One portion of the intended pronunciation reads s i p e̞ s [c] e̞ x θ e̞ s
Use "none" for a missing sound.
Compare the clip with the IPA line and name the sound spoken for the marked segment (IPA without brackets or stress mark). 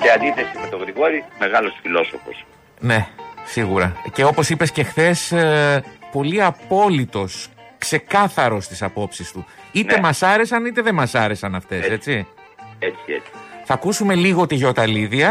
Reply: c